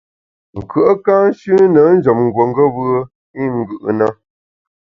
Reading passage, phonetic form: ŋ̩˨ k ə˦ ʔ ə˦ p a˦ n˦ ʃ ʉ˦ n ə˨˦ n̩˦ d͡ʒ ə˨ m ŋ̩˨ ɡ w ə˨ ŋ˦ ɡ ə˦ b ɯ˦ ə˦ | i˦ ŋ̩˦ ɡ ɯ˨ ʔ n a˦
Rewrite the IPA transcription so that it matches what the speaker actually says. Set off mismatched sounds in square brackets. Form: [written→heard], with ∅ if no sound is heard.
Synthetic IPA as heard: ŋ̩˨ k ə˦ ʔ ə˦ [p→k] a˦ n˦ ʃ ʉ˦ n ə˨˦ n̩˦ d͡ʒ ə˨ m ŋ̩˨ ɡ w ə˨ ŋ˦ ɡ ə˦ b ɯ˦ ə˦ | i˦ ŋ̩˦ ɡ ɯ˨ ʔ n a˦